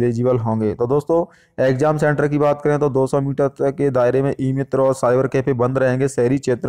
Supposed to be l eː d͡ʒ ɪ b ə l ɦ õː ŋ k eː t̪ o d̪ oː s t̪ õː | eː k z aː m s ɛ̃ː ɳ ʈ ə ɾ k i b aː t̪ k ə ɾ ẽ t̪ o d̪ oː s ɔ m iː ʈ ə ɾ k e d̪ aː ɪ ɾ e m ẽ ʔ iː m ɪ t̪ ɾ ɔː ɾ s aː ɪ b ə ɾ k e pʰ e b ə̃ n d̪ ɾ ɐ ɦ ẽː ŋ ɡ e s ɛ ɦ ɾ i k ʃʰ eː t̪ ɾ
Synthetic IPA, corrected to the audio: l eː d͡ʒ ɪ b ə l ɦ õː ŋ ɡ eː t̪ o d̪ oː s t̪ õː | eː k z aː m s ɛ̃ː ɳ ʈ ə ɾ k i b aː t̪ k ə ɾ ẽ t̪ o d̪ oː s ɔ m iː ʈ ə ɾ k e d̪ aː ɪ ɾ e m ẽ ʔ iː m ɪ t̪ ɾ ɔː ɾ s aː ɪ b ə ɾ k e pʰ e b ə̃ n d̪ ɾ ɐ ɦ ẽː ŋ ɡ e s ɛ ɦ ɾ i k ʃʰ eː t̪ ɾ